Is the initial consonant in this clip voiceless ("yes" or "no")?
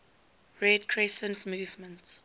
no